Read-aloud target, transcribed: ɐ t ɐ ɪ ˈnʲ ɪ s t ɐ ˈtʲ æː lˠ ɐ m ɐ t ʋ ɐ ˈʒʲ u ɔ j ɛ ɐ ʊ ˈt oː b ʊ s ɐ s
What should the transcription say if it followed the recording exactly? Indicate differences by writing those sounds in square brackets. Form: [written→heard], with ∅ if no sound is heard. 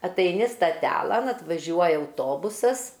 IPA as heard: ɐ t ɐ ɪ ˈnʲ ɪ s t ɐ ˈtʲ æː lˠ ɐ [m→n] ɐ t ʋ ɐ ˈʒʲ u ɔ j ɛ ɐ ʊ ˈt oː b ʊ s ɐ s